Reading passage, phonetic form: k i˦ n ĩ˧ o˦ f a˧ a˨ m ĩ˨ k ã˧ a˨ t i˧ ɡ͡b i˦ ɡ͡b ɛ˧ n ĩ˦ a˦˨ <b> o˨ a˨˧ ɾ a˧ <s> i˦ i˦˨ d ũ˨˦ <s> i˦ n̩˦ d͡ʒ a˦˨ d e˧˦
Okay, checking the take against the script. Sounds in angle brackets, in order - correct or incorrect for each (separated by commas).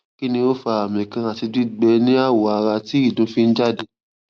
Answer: incorrect, incorrect, incorrect